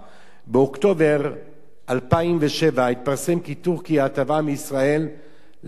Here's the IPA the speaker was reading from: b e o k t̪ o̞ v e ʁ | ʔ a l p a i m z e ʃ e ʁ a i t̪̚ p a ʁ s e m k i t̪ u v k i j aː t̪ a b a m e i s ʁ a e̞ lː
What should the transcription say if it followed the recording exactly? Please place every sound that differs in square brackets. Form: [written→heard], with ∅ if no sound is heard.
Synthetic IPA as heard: b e o k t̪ o̞ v e ʁ | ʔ a l p a i m [z→v] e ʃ e [ʁ→v] a i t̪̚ p a ʁ s e m k i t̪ u [v→ʁ] k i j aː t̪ a [b→v] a m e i s ʁ a e̞ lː